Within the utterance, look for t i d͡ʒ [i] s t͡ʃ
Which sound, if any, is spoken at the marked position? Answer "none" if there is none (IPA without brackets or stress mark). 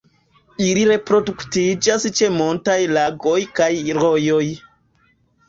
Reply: a